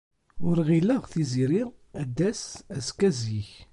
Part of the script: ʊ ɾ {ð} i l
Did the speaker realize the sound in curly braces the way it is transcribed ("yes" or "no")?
no